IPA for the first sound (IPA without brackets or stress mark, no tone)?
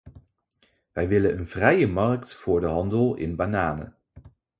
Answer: ʋ